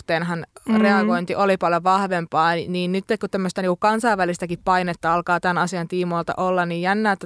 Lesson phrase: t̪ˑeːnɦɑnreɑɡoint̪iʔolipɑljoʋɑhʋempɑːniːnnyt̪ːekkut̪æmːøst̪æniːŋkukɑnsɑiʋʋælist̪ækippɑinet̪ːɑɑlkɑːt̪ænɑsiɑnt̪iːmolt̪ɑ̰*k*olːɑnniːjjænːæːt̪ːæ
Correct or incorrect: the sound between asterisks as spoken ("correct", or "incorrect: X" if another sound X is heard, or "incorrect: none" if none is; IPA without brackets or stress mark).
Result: incorrect: ʔ